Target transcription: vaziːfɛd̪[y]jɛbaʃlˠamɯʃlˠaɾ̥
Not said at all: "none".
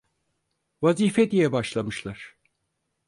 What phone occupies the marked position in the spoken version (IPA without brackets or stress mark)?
i